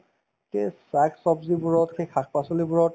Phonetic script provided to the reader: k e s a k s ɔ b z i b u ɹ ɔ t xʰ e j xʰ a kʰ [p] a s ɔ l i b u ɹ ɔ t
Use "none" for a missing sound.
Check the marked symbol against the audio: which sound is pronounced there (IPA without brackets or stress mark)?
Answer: p